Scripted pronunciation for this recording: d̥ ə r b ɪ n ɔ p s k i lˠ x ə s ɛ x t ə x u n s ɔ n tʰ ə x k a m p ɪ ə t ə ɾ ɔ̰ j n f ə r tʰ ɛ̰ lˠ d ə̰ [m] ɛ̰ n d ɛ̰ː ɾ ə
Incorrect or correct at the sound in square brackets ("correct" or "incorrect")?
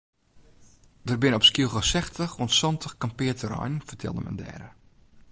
correct